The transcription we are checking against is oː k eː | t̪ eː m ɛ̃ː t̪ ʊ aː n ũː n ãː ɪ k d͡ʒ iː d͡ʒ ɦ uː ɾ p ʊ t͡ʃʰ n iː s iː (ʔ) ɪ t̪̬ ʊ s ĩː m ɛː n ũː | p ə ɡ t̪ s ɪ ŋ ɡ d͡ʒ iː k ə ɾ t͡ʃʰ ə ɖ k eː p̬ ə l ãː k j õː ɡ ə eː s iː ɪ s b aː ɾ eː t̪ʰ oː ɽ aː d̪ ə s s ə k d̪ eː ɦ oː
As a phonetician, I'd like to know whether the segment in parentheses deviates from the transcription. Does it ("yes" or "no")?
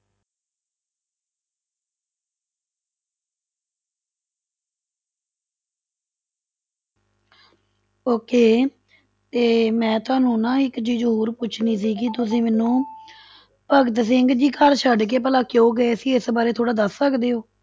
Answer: yes